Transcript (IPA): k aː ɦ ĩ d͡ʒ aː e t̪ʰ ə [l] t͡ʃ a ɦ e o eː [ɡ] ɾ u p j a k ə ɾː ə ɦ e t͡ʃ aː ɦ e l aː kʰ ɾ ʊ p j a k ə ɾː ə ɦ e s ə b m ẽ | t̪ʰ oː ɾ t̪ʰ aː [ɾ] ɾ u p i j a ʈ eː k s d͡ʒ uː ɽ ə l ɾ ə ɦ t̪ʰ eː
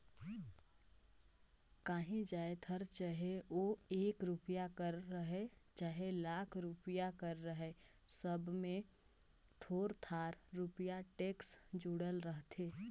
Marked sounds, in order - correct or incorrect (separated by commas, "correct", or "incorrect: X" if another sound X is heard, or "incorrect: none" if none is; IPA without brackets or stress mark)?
incorrect: ɾ, incorrect: k, correct